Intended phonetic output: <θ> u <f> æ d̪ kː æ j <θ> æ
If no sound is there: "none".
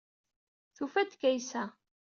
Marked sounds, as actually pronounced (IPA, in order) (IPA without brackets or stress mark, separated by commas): θ, f, s